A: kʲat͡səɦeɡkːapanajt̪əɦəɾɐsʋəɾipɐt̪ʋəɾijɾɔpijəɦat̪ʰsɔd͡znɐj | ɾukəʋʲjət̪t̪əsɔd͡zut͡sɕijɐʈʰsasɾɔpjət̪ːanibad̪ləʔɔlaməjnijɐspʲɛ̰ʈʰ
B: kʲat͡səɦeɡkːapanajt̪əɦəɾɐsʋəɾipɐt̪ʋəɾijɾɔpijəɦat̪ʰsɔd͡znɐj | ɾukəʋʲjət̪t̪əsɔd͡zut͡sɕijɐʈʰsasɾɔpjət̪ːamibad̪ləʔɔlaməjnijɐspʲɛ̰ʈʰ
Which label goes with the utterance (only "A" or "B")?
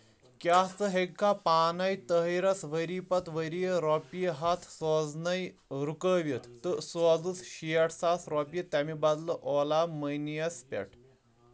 B